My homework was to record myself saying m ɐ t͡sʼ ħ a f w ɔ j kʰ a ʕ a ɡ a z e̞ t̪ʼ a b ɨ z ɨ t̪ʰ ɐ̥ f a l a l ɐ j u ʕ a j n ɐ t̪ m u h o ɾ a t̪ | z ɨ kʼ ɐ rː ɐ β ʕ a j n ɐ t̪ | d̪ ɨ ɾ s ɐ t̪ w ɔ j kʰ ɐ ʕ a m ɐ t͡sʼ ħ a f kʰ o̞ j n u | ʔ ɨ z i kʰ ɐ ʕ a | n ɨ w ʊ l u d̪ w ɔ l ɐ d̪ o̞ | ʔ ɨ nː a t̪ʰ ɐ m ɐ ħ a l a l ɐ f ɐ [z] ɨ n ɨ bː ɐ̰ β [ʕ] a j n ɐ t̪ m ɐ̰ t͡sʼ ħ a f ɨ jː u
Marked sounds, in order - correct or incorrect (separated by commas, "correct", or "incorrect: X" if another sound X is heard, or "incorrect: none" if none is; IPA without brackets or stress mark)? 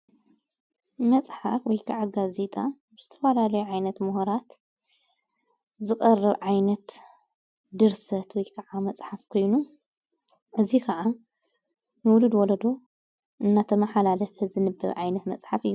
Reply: correct, correct